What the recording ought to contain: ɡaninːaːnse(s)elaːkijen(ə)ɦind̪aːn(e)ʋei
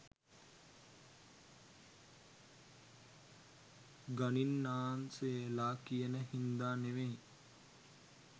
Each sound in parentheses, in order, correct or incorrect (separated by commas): incorrect, correct, correct